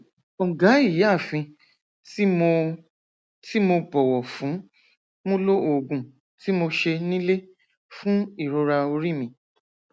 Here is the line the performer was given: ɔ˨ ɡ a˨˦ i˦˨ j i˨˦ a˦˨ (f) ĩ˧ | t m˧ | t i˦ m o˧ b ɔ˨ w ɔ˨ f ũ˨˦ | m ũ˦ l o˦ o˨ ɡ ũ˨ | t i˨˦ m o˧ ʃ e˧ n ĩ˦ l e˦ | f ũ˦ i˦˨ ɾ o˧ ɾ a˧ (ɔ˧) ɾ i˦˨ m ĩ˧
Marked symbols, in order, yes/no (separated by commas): yes, no